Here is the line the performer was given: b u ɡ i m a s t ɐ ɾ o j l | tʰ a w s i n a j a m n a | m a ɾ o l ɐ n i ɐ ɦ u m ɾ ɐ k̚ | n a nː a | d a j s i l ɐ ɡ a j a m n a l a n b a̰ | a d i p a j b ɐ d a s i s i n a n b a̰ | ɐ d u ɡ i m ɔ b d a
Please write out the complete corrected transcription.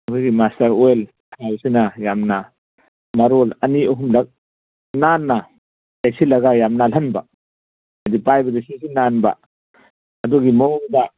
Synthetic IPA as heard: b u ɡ i m a s t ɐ ɾ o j l | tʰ a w s i n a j a m n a | m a ɾ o l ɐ n i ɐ ɦ u m l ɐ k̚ | n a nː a | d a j s i l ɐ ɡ a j a m n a l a n b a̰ | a d i p a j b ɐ d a s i s i n a n b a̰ | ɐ d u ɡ i m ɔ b d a